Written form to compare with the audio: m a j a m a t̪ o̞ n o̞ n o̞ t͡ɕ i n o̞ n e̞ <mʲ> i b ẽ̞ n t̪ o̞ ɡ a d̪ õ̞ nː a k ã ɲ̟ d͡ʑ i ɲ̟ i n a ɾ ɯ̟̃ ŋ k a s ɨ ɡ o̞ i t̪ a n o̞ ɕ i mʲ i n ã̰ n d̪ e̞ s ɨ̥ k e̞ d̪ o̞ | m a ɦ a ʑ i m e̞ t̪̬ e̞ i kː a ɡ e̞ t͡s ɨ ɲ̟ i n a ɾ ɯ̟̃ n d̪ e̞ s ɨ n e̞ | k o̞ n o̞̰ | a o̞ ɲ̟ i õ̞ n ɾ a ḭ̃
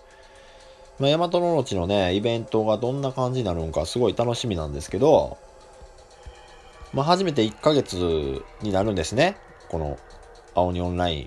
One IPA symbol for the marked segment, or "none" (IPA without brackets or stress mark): none